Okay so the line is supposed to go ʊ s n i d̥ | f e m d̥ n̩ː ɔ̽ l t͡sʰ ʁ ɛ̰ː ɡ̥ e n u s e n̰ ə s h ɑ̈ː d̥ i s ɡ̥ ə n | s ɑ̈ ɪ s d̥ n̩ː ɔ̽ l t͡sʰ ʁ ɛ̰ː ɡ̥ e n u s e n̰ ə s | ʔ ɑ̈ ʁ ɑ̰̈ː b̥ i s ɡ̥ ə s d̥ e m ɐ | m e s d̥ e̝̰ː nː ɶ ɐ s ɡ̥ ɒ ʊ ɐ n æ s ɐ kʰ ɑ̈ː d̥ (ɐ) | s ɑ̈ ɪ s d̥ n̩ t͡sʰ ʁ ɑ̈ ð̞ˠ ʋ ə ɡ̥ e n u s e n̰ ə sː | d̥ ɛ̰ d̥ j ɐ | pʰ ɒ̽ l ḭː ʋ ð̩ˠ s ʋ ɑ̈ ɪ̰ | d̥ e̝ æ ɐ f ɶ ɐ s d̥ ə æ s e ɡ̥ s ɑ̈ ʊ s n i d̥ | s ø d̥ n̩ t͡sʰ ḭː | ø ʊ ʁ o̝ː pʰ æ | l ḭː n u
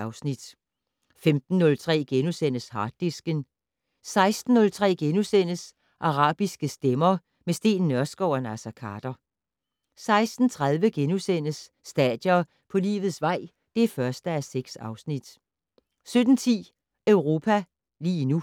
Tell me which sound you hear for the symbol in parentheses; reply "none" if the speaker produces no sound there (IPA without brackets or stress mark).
ɐ